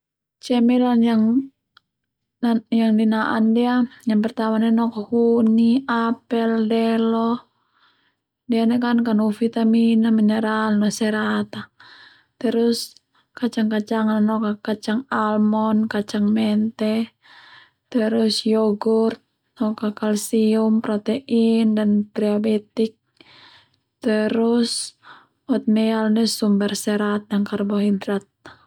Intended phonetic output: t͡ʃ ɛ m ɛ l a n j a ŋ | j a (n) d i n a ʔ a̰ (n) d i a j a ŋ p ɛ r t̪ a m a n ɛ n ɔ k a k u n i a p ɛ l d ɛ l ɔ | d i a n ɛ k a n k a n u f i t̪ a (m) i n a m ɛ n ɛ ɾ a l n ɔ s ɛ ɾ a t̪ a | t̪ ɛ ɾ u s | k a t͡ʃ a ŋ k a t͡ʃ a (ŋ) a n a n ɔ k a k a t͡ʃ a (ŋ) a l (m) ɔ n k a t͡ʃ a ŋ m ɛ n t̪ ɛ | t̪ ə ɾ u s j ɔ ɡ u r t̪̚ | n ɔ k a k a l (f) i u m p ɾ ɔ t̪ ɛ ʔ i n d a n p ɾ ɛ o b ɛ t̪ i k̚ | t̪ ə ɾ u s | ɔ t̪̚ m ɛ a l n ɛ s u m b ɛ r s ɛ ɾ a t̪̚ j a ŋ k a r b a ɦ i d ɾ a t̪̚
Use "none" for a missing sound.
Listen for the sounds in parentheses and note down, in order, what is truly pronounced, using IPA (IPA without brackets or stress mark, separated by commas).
ŋ, n, m, ŋ, ŋ, m, s